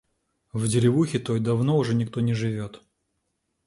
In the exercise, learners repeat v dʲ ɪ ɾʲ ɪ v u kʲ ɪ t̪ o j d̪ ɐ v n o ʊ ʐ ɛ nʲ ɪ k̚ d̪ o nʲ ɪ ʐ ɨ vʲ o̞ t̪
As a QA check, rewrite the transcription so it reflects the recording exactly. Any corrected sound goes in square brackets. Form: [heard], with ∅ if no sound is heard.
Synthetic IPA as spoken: v dʲ ɪ ɾʲ ɪ v u [xʲ] ɪ t̪ o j d̪ ɐ v n o ʊ ʐ ɛ nʲ ɪ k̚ [t̪] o nʲ ɪ ʐ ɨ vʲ o̞ t̪